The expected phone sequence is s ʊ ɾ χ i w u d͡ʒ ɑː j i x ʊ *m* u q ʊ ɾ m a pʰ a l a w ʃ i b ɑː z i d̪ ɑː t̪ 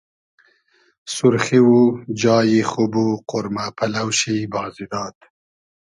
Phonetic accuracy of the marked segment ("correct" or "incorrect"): incorrect